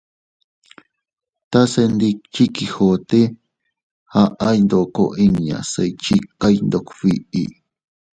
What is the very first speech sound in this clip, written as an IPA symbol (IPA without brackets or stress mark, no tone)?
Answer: t̪